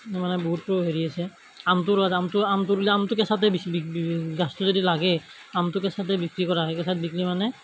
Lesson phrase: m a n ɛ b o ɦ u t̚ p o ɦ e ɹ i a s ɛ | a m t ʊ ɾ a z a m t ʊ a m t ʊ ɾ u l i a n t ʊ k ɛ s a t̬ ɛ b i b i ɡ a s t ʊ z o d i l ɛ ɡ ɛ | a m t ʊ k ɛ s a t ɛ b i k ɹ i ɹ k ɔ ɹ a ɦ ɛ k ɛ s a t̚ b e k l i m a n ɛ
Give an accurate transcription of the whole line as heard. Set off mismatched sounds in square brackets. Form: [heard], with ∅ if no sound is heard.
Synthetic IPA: m a n ɛ b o ɦ u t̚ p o ɦ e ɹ i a s ɛ | a m t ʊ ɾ a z a m t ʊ a m t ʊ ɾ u l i a [m] t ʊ k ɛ s a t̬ ɛ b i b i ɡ a s t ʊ z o d i l [a] ɡ ɛ | a m t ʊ k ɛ s a t ɛ b i k ɹ i [∅] k ɔ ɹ a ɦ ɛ k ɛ s a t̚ b [i] k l i m a n ɛ

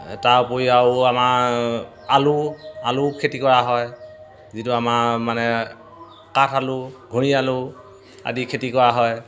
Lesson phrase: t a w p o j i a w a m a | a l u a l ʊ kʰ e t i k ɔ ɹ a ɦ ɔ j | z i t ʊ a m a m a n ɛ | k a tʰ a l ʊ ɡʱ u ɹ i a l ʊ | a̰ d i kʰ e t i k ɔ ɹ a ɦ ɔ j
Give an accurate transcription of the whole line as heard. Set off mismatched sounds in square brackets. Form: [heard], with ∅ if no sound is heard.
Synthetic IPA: t a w p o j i a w a m a | a l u a l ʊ kʰ e t i k ɔ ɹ a ɦ ɔ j | z i t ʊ a m a m a n ɛ | k a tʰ a l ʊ ɡʱ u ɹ i a l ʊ | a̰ d i kʰ e t i k ɔ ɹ a ɦ ɔ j

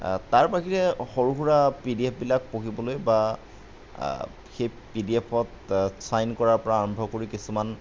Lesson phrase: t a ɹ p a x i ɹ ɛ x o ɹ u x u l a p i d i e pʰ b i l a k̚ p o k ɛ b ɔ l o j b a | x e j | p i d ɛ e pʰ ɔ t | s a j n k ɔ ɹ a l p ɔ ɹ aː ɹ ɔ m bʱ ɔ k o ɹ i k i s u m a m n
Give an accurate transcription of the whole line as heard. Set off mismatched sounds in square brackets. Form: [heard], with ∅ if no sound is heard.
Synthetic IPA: t a ɹ p a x i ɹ ɛ x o ɹ u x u [ɹ] a p i d i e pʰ b i l a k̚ p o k [i] b ɔ l o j b a | x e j | p i d [i] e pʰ ɔ t | s a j n k ɔ ɹ a [ɹ] p ɔ ɹ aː ɹ ɔ m bʱ ɔ k o ɹ i k i s u m a [∅] n

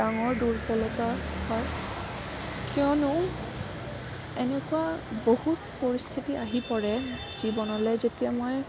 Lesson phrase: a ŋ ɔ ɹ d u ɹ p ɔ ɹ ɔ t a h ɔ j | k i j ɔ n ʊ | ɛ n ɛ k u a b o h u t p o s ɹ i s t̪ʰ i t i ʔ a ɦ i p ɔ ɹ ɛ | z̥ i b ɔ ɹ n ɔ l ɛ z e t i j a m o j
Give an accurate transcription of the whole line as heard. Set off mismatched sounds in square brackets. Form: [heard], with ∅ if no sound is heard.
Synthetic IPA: a ŋ ɔ ɹ d u ɹ p ɔ [l] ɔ t a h ɔ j | k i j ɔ n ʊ | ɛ n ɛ k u a b o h u t p o [∅] ɹ i s t̪ʰ i t i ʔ a ɦ i p ɔ ɹ ɛ | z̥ i b ɔ [∅] n ɔ l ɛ z e t i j a m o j

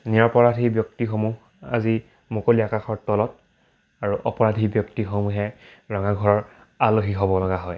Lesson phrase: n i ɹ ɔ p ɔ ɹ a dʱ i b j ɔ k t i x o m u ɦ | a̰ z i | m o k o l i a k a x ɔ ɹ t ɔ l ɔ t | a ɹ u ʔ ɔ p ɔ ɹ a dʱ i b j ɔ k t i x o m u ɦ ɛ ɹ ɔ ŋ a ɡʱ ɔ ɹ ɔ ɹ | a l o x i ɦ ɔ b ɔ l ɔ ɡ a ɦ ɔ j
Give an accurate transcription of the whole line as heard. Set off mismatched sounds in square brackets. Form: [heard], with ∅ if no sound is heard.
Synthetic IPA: n i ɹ ɔ p ɔ ɹ a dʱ i b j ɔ k t i x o m u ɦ | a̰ z i | m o k o l i a k a x ɔ ɹ t ɔ l ɔ t | a ɹ u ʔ ɔ p ɔ ɹ a dʱ i b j ɔ k t i x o m u ɦ ɛ ɹ ɔ ŋ a ɡʱ ɔ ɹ ɔ ɹ | a l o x i ɦ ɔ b ɔ l ɔ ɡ a ɦ ɔ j

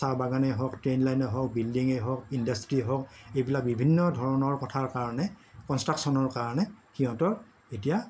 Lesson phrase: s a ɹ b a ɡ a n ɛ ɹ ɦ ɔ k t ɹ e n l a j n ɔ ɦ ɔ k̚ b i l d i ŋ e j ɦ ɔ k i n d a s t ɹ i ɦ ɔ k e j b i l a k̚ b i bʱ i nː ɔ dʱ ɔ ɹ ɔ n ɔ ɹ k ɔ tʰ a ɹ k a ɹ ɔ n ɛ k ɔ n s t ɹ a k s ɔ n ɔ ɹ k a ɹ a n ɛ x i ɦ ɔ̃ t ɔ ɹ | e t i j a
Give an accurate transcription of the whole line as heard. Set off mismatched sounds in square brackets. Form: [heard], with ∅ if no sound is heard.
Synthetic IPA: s a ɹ b a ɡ a n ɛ [∅] ɦ ɔ k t ɹ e n l a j n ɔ ɦ ɔ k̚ b i l d i ŋ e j ɦ ɔ k i n d a s t ɹ i ɦ ɔ k e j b i l a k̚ b i bʱ i nː ɔ dʱ ɔ ɹ ɔ n ɔ ɹ k ɔ tʰ a ɹ k a ɹ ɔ n ɛ k ɔ n s t ɹ a k s ɔ n ɔ ɹ k a ɹ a n ɛ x i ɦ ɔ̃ t ɔ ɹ | e t i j a

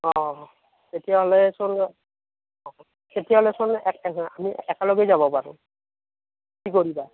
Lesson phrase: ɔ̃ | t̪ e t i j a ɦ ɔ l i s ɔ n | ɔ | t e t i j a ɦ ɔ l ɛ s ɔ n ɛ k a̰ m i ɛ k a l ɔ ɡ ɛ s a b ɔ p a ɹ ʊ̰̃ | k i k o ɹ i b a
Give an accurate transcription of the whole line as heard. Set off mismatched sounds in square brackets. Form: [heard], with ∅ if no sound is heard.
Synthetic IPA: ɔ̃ | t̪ e t i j a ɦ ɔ l [ɛ] s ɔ n | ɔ | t e t i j a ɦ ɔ l ɛ s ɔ n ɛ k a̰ m i ɛ k a l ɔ ɡ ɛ [z] a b ɔ p a ɹ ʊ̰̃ | k i k o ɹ i b a

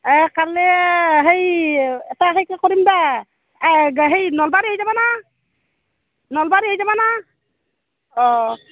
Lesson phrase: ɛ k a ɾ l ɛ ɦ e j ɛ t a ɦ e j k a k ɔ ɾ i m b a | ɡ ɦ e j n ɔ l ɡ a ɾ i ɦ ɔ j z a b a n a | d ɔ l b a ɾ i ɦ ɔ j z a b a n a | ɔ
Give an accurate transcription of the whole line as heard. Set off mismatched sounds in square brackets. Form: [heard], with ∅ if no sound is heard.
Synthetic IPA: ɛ k a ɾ l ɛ ɦ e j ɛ t a ɦ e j k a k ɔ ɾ i m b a | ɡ ɦ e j n ɔ l [b] a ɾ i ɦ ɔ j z a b a n a | [n] ɔ l b a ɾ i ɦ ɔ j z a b a n a | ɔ

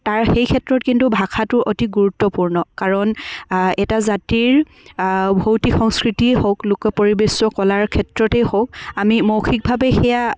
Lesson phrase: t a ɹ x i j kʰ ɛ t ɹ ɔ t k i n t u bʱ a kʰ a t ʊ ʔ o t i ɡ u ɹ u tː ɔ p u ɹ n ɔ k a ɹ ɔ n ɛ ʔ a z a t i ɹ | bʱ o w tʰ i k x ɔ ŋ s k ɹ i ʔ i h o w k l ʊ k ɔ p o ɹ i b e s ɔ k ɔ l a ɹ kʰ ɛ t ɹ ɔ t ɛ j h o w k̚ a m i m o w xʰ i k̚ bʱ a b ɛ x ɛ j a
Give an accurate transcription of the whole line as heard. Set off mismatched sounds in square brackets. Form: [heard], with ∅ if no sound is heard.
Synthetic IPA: t a ɹ x [e] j kʰ ɛ t ɹ ɔ t k i n t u bʱ a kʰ a t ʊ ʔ o t i ɡ u ɹ u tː ɔ p u ɹ n ɔ k a ɹ ɔ n ɛ [t] a z a t i ɹ | bʱ o w [t] i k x ɔ ŋ s k ɹ i [t] i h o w k l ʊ k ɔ p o ɹ i b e s ɔ k ɔ l a ɹ kʰ ɛ t ɹ ɔ t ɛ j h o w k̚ a m i m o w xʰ i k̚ bʱ a b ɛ x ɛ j a

